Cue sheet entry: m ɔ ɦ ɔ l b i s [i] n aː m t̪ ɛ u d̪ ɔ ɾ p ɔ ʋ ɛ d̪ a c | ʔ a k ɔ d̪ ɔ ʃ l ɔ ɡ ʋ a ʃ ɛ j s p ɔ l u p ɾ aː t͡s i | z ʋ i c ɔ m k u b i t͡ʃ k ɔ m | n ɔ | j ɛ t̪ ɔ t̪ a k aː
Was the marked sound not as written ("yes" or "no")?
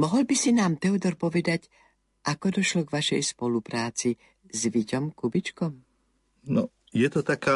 no